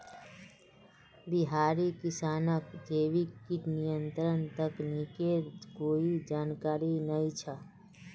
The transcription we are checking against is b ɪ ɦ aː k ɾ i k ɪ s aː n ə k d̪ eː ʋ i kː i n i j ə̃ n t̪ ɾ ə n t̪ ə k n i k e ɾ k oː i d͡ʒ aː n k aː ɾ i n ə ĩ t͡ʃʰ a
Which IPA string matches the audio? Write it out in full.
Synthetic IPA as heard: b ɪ ɦ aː ɾ i k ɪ s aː n ə k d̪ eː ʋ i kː i n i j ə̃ n t̪ ɾ ə n t̪ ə k n i k e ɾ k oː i d͡ʒ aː n k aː ɾ i n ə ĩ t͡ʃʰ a